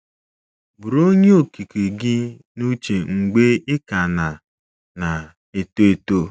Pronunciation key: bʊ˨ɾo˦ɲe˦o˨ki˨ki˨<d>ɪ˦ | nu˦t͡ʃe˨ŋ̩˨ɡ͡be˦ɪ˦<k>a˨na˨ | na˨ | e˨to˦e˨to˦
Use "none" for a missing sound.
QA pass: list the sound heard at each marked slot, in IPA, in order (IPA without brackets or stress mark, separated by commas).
ɡ, k